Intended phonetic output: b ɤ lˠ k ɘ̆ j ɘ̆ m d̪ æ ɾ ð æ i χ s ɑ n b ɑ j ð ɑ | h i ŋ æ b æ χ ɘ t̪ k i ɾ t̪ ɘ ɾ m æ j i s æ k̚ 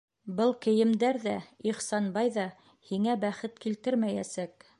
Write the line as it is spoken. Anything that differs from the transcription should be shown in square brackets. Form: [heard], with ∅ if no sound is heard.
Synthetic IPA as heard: b ɤ lˠ k ɘ̆ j ɘ̆ m d̪ æ ɾ ð æ i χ s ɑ n b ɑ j ð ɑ | h i ŋ æ b æ χ ɘ t̪ k i [l] t̪ ɘ ɾ m æ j [æ] s æ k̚